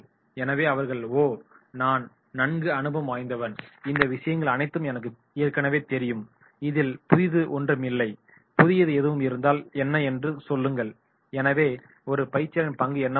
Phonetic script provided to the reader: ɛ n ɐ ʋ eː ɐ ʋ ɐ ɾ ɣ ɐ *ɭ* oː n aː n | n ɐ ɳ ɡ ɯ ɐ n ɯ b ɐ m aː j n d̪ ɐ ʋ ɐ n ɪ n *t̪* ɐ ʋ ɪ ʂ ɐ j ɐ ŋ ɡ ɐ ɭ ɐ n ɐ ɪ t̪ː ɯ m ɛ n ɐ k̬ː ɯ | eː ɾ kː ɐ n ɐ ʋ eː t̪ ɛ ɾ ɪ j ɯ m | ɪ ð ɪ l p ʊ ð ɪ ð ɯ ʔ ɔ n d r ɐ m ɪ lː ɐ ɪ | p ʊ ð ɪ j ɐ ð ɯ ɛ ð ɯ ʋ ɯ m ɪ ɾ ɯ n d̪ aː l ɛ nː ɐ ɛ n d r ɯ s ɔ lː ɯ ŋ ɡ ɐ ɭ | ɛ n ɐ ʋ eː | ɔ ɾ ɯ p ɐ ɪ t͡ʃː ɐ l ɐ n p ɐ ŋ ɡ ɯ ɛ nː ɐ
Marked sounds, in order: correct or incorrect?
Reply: correct, incorrect

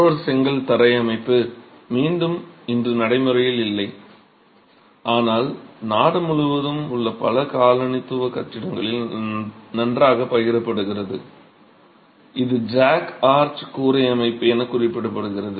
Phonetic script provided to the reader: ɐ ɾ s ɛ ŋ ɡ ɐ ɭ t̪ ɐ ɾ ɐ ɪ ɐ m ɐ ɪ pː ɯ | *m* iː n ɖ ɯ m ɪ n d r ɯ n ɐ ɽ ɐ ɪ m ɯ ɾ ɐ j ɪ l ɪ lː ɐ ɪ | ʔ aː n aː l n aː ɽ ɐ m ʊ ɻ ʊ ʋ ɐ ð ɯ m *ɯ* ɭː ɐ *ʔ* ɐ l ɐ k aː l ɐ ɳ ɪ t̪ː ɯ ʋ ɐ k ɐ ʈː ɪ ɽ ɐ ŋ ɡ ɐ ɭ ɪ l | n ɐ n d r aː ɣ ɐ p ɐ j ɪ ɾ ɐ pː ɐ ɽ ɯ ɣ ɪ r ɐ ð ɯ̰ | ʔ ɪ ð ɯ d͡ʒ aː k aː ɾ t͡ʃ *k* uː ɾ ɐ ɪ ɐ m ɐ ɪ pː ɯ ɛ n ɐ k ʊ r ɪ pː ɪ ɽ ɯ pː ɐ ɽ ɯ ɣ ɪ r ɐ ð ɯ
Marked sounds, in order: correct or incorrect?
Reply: correct, incorrect, incorrect, correct

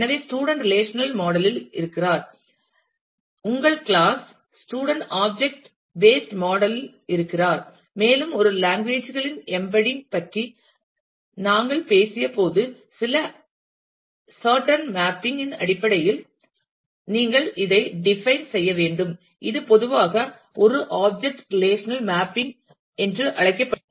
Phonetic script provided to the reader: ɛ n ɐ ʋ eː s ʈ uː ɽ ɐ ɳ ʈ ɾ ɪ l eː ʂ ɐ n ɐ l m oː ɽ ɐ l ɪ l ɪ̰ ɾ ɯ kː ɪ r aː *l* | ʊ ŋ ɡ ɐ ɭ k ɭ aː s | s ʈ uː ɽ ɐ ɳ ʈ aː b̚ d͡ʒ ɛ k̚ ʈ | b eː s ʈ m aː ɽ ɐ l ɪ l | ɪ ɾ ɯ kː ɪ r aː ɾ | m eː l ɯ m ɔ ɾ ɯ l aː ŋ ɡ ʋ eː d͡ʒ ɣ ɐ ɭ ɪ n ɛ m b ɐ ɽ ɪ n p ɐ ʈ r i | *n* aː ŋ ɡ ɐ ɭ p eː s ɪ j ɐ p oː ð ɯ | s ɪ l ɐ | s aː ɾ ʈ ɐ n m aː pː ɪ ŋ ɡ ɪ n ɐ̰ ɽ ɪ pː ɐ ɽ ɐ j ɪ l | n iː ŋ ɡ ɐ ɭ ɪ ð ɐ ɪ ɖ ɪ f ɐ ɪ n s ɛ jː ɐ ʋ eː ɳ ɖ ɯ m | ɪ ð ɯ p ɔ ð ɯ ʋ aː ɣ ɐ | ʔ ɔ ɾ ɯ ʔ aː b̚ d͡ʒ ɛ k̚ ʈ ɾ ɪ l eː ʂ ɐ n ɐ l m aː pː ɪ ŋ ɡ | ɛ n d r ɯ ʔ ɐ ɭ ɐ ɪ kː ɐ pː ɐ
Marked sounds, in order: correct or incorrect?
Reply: incorrect, correct

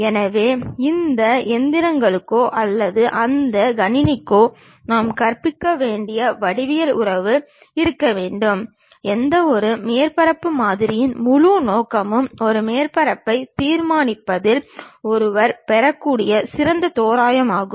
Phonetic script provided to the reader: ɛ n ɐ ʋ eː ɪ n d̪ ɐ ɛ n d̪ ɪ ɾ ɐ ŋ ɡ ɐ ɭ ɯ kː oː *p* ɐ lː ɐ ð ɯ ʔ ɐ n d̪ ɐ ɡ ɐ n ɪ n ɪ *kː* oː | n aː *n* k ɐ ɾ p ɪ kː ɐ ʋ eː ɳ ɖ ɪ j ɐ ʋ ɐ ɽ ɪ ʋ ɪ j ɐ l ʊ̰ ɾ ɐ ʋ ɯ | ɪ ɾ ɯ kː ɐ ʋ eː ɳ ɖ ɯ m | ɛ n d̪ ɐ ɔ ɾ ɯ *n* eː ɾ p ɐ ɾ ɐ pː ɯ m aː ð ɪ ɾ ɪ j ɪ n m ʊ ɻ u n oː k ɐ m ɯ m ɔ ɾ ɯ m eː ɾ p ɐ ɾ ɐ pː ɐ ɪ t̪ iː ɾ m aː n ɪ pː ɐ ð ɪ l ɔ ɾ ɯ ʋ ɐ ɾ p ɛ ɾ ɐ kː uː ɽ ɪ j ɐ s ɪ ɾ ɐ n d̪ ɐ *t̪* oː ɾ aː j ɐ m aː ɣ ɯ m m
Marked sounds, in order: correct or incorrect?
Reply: incorrect, correct, incorrect, incorrect, correct

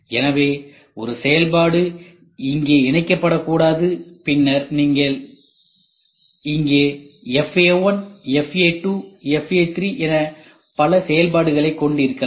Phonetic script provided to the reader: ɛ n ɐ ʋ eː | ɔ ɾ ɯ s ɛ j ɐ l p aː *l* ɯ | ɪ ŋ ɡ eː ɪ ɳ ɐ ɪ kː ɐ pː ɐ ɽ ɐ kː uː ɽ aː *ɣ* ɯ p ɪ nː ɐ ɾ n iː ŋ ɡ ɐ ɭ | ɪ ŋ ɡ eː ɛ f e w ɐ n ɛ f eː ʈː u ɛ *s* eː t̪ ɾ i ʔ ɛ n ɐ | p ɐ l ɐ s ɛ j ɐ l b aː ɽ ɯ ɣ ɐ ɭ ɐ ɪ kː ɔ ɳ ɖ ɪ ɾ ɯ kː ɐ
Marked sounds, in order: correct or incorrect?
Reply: incorrect, incorrect, incorrect

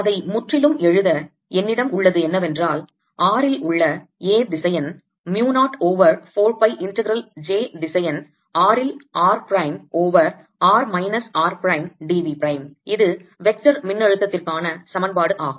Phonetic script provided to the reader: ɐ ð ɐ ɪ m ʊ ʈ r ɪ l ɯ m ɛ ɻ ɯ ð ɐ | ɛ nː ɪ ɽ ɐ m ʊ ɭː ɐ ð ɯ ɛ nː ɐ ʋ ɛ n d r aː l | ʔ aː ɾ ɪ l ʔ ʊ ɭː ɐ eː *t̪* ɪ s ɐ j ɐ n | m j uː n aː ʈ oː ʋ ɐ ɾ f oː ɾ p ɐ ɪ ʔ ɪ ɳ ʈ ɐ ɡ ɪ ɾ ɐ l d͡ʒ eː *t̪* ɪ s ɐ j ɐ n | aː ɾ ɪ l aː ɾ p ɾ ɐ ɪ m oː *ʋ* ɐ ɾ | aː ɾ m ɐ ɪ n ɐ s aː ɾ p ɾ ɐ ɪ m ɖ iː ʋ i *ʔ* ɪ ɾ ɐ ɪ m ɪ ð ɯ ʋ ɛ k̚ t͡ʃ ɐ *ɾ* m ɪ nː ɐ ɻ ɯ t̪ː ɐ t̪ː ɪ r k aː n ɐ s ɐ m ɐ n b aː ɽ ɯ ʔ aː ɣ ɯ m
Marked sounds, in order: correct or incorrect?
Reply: incorrect, incorrect, correct, incorrect, correct

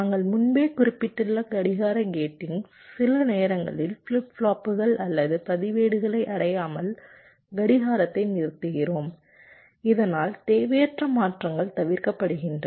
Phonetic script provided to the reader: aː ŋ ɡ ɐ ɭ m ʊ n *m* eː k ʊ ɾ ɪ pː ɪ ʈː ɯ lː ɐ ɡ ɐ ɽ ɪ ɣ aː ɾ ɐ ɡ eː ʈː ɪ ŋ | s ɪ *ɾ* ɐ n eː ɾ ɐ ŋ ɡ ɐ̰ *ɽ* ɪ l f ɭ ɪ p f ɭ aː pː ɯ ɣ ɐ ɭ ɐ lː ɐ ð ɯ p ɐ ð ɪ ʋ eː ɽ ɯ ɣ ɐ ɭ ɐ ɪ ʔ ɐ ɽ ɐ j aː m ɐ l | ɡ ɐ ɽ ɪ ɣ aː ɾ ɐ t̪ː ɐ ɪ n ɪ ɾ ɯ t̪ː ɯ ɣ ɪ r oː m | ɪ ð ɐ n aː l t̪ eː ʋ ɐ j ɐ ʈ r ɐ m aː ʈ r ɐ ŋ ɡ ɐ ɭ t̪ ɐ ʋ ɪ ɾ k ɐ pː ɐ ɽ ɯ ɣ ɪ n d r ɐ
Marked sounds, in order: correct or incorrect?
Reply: incorrect, incorrect, incorrect

